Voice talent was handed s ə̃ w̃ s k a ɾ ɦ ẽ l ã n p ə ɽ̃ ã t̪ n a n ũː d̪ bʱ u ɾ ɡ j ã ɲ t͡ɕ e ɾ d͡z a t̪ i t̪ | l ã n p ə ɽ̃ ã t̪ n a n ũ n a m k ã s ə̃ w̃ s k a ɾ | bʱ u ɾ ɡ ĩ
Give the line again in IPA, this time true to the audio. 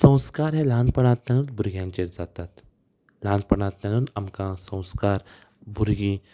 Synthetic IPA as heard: s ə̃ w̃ s k a ɾ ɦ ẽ l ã n p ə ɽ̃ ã t̪ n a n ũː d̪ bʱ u ɾ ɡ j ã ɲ t͡ɕ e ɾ d͡z a t̪ a t̪ | l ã n p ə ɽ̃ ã t̪ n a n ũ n a m k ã s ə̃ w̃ s k a ɾ | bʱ u ɾ ɡ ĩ